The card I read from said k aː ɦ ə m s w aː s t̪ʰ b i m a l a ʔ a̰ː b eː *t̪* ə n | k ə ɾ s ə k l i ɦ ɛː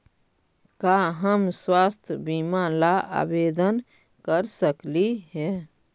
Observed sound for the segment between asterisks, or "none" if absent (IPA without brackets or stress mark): d̪